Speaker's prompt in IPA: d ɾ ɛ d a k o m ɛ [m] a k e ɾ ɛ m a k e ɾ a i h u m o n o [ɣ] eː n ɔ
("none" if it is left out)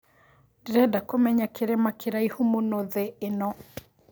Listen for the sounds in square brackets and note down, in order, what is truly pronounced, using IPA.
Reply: ɲ, ð

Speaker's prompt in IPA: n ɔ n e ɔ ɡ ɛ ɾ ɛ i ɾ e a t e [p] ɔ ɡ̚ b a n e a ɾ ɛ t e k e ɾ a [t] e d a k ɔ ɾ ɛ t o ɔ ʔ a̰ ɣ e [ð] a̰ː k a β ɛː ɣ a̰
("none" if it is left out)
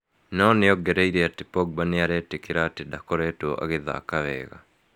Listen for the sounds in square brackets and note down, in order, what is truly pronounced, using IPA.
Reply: p, t, ð

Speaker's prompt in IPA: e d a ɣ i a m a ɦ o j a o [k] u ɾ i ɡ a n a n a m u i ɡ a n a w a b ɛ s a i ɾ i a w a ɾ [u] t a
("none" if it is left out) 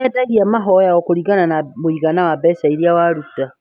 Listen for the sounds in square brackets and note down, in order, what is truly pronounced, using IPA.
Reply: k, u

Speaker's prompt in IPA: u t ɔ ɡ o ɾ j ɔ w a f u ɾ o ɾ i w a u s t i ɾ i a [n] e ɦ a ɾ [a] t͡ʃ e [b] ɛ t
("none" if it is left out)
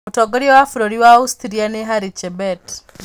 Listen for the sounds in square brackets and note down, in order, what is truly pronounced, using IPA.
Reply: n, i, b

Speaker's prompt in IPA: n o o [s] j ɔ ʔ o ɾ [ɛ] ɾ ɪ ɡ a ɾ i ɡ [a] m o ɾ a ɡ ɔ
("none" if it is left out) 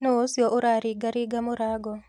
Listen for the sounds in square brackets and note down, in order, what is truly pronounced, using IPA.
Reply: s, a, a

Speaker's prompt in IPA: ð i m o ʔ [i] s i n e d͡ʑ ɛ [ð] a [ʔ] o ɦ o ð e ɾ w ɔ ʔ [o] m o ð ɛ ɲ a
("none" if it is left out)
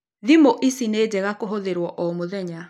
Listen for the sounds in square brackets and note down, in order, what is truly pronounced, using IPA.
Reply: i, ɣ, k, ɔ

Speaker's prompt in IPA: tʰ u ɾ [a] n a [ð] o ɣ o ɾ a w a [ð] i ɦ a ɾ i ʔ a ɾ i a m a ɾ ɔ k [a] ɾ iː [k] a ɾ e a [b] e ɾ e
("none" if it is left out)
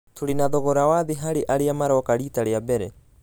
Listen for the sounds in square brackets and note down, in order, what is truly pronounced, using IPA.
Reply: i, ð, ð, a, t, b

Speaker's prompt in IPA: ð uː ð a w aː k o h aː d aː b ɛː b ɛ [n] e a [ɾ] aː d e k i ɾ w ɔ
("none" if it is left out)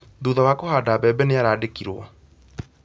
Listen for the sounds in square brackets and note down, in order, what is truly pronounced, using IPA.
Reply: n, ɾ

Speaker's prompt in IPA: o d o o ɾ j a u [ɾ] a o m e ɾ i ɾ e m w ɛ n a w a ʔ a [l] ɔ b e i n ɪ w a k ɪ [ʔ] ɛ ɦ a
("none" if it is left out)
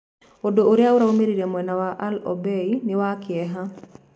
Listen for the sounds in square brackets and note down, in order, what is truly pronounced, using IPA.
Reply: ɾ, l, none

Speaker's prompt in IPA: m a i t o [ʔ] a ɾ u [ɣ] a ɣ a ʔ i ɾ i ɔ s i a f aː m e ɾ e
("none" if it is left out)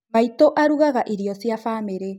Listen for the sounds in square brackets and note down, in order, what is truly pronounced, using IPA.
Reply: ʔ, ɣ

